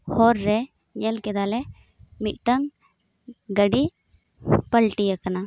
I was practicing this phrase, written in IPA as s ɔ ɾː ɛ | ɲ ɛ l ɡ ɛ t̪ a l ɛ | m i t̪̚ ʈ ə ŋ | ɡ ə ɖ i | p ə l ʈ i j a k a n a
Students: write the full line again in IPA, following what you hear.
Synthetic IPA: h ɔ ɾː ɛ | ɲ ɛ l k ɛ d̪ a l ɛ | m i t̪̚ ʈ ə ŋ | ɡ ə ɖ i | p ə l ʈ i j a k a n a

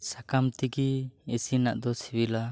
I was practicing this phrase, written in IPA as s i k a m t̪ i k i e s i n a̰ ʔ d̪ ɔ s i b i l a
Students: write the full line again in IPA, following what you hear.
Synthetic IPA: s a k a m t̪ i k i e s i n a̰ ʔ d̪ ɔ s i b i l a

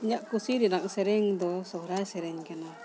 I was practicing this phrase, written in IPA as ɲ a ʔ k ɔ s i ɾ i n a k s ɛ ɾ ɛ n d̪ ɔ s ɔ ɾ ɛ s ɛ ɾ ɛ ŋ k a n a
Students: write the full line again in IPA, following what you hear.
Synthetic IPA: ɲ a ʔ k u s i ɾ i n a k s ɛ ɾ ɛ ŋ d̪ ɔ s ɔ ɾ a s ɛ ɾ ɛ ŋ k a n a

